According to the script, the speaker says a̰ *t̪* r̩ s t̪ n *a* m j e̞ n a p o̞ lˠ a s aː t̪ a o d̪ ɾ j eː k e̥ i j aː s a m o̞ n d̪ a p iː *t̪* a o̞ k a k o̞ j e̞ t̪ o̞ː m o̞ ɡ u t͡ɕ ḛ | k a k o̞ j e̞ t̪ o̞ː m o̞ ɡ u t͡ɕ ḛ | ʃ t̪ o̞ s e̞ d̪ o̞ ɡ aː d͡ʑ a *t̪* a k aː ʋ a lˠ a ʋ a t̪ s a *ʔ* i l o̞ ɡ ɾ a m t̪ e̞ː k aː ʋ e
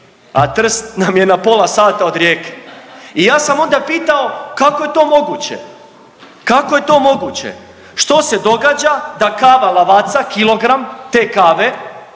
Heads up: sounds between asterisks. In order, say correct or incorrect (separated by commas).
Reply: correct, correct, correct, incorrect, incorrect